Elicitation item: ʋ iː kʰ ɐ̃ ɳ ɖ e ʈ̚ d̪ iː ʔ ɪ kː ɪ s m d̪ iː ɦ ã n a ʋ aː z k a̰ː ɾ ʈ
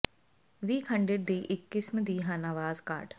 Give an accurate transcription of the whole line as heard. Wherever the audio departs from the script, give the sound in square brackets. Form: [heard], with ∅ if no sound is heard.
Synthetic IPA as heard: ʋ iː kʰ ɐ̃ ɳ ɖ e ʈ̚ d̪ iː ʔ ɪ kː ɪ s m d̪ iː ɦ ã n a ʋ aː z k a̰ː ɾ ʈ